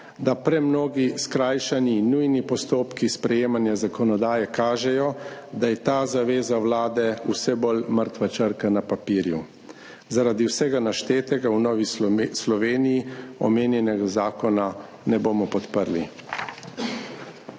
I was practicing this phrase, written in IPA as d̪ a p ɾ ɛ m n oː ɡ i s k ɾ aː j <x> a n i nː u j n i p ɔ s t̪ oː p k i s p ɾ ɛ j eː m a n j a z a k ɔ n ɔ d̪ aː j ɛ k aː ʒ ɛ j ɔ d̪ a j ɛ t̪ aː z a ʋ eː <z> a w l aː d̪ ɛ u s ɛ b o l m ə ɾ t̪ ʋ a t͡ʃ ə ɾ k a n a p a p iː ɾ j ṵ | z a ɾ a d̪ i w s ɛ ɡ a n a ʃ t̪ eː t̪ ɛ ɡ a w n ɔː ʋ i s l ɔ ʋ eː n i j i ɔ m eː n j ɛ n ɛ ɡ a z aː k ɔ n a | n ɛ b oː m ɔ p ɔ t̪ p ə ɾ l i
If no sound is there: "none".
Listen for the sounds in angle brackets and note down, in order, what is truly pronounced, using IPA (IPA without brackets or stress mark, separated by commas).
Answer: ʃ, z